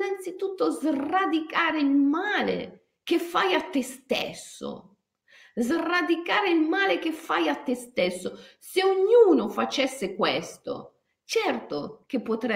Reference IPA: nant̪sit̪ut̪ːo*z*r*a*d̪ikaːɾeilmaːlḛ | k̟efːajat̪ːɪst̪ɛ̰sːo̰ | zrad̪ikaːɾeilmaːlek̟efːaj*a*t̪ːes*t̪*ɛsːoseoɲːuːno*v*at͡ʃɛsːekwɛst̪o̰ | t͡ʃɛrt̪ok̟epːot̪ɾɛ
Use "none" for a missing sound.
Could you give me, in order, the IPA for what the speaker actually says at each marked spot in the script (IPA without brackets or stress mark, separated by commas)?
z, a, a, t̪, f